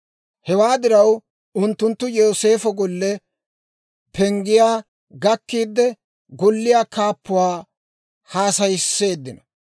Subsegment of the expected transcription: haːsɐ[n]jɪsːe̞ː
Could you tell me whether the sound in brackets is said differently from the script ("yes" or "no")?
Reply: yes